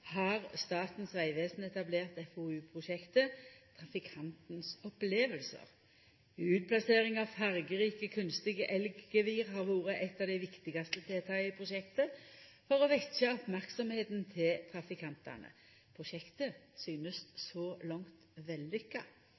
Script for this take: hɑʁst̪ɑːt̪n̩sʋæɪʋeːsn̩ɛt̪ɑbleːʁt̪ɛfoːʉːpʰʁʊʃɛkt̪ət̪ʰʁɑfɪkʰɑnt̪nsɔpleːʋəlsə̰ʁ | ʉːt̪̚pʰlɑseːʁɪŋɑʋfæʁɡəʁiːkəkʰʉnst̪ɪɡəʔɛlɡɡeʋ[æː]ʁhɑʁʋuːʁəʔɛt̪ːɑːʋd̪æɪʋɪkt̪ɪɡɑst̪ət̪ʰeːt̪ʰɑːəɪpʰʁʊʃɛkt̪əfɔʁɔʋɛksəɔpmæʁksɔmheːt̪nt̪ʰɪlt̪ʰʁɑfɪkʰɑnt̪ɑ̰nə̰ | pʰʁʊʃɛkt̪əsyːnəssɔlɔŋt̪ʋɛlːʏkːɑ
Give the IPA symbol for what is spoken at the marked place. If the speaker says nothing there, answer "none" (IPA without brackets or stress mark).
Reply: iː